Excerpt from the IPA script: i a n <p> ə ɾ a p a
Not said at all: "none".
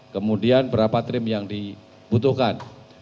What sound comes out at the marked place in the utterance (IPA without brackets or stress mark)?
b